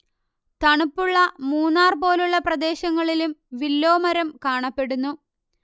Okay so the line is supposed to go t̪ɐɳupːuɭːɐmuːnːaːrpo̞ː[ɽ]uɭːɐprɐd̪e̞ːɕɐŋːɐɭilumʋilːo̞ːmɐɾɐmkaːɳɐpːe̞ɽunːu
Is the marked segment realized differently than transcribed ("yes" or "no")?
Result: yes